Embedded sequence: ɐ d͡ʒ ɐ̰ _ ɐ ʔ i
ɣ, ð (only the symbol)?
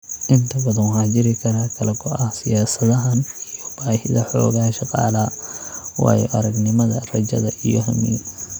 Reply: ð